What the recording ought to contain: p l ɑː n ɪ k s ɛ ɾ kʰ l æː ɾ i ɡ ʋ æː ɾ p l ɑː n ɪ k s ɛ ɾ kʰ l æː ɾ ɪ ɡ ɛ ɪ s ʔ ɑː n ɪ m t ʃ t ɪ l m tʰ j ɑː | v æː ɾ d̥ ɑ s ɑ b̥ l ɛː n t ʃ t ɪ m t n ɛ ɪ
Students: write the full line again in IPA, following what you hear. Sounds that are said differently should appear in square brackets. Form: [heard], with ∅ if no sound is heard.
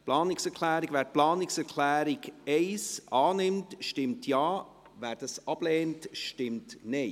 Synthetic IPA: p l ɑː n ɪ k s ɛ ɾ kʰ l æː ɾ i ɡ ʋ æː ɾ p l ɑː n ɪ k s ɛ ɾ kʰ l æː ɾ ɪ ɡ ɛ ɪ s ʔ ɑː n ɪ m t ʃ t ɪ [∅] m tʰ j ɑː | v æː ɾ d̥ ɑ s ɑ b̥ l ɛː n t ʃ t ɪ m t n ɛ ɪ